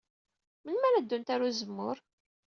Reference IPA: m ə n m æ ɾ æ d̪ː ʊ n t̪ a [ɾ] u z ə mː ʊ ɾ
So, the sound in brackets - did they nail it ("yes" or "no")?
yes